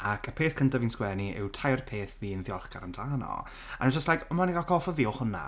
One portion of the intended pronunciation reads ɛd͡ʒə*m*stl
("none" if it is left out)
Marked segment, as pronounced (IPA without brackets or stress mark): none